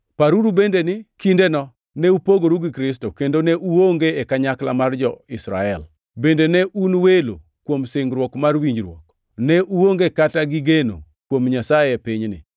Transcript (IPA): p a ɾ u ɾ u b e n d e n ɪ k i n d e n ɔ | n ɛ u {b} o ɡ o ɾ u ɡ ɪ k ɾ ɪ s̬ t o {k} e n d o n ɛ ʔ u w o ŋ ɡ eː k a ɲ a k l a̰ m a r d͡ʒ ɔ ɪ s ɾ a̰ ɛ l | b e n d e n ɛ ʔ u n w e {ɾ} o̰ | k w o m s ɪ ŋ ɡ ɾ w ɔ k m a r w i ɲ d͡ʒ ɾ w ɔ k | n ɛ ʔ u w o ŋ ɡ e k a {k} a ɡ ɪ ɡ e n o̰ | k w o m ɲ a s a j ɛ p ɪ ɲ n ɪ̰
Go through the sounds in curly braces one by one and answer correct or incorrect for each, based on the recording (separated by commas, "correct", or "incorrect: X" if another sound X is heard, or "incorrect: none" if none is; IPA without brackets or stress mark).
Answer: incorrect: p, correct, incorrect: l, incorrect: t